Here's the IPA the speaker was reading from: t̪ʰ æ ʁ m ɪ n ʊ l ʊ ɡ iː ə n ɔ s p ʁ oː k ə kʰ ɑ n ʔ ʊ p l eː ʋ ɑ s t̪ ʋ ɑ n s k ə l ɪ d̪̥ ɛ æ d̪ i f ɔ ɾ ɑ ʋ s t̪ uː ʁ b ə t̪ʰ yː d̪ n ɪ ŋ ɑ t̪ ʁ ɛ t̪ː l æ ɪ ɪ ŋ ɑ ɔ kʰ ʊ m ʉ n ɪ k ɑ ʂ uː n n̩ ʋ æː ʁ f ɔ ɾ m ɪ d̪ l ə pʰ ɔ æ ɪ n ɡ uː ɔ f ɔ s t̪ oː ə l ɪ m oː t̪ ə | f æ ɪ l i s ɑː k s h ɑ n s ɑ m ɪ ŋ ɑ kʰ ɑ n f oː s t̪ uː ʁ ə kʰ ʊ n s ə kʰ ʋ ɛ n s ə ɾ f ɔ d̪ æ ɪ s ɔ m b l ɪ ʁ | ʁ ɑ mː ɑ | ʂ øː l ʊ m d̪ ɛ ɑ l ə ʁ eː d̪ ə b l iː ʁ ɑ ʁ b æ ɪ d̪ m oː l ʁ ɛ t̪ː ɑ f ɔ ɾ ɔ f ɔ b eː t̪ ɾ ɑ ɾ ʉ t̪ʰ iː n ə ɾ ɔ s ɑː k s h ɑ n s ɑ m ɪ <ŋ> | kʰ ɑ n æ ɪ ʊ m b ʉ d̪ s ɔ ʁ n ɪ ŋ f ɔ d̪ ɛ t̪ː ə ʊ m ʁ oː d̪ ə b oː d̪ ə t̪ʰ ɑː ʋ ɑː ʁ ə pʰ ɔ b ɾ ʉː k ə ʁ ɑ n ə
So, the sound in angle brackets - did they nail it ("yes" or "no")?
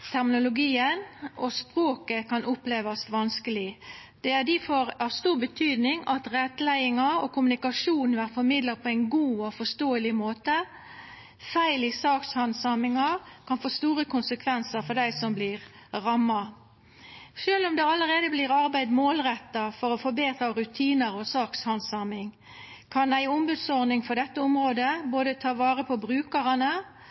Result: yes